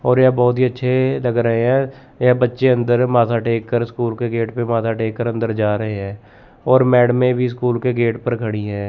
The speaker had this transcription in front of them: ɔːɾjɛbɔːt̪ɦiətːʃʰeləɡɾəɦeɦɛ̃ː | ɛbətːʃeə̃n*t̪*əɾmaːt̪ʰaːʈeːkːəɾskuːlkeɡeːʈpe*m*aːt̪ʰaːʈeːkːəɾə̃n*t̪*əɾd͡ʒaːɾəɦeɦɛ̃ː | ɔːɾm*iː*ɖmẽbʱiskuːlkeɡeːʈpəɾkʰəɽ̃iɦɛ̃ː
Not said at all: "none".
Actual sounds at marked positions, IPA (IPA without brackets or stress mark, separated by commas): d̪, m, d̪, ɛː